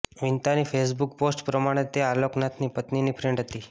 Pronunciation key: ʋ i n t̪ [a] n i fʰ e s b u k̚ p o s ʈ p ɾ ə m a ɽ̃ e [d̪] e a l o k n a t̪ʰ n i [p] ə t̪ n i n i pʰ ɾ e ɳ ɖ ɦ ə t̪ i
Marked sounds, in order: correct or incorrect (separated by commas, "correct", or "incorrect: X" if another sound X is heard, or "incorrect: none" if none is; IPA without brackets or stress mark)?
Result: correct, incorrect: t̪, correct